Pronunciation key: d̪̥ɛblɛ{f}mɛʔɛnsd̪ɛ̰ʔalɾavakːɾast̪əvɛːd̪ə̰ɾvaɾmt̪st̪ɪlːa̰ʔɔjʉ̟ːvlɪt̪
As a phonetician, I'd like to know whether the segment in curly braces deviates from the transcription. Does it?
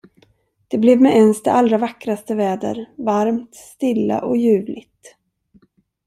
yes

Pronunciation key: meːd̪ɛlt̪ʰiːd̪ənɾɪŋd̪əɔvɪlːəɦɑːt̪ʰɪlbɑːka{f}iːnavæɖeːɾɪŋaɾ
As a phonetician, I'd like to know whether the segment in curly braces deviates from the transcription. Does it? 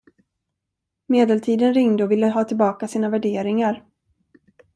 yes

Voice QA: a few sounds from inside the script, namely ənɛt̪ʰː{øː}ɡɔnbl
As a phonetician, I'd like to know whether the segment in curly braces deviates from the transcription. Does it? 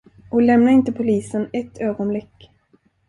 no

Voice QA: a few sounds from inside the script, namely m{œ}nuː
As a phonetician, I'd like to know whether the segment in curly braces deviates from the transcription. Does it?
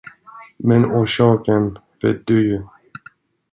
yes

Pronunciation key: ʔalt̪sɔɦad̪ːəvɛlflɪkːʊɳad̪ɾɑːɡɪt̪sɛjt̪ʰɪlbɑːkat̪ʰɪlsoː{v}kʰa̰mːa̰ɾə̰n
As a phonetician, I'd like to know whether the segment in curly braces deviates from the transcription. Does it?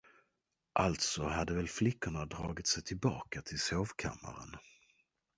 no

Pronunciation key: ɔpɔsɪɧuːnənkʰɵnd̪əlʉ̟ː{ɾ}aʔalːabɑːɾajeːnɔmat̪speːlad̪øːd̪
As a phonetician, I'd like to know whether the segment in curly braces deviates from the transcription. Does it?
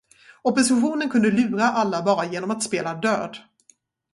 no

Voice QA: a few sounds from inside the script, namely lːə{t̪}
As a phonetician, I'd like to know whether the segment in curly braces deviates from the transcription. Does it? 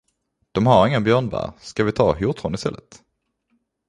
no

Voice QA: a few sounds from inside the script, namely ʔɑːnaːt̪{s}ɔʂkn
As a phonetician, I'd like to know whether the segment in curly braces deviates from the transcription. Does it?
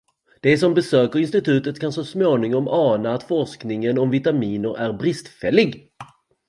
yes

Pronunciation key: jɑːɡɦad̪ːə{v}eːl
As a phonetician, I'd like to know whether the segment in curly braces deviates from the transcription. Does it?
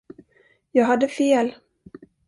yes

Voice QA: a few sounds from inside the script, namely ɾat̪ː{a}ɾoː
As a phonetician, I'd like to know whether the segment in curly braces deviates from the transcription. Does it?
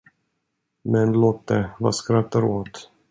no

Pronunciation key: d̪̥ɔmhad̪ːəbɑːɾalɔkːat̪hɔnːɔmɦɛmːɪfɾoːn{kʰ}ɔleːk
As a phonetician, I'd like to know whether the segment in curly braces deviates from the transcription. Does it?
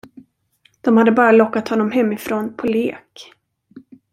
yes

